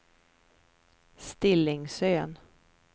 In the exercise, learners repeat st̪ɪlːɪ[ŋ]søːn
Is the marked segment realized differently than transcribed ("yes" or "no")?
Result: no